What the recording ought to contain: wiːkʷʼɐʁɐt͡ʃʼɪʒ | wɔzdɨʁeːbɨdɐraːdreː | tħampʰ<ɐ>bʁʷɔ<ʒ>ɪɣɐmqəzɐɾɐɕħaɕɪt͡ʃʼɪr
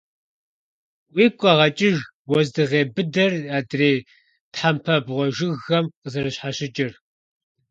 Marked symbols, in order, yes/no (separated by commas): yes, yes